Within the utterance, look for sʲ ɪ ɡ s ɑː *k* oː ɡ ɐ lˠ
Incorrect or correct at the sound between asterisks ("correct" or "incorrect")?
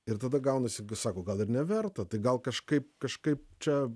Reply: correct